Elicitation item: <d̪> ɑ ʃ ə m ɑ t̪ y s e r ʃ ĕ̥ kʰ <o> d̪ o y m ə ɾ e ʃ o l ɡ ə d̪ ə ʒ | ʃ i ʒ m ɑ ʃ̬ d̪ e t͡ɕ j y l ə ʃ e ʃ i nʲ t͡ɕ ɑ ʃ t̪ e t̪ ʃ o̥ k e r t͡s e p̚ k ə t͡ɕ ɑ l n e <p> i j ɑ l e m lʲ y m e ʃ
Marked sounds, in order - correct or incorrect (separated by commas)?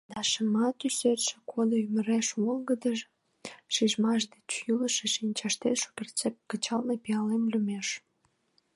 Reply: correct, correct, correct